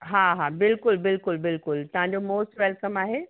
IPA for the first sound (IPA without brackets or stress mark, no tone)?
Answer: ɦ